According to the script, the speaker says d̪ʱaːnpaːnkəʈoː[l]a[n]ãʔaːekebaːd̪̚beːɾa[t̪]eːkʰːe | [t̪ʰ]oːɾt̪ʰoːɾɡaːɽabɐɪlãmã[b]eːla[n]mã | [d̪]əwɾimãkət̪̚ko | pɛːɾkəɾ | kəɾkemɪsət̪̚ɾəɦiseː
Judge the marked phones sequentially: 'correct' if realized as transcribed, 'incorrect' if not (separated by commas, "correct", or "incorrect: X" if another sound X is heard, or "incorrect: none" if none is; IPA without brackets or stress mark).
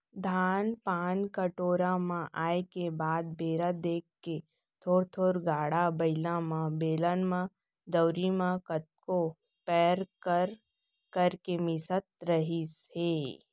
incorrect: ɾ, incorrect: m, incorrect: d̪, correct, correct, correct, correct